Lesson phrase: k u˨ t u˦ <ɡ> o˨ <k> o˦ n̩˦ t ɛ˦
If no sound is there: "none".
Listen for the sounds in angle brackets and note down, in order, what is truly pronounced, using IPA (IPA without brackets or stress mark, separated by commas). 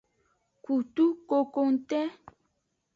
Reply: k, k